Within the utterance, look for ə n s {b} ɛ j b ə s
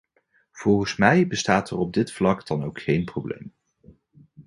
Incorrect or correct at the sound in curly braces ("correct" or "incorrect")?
incorrect